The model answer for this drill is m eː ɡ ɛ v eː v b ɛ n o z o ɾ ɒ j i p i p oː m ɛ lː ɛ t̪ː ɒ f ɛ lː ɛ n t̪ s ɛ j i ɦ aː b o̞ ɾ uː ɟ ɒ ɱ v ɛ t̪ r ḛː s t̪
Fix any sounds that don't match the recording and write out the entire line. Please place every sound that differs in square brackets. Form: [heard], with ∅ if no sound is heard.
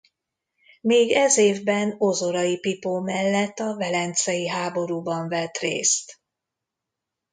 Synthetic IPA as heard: m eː ɡ ɛ [z] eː v b ɛ n o z o ɾ ɒ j i p i p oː m ɛ lː ɛ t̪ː ɒ [v] ɛ [l] ɛ n t̪ s ɛ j i ɦ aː b o̞ ɾ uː [b] ɒ ɱ v ɛ t̪ r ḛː s t̪